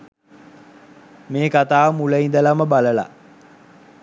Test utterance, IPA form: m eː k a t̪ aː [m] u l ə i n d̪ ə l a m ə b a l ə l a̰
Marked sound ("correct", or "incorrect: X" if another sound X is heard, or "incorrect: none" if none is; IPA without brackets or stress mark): correct